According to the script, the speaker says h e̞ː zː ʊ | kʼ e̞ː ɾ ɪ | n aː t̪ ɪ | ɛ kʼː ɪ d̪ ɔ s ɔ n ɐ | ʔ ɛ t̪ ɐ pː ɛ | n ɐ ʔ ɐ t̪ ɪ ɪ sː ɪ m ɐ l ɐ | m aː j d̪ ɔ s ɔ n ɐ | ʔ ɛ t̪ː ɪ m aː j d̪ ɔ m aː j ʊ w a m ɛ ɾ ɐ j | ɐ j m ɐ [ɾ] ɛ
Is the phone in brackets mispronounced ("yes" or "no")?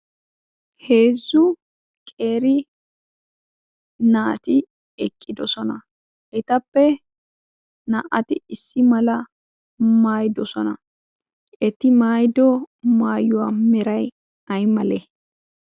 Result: yes